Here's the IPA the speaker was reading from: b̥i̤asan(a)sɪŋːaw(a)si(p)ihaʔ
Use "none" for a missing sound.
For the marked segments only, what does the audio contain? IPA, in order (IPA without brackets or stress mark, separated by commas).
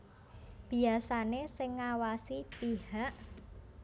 e, a, p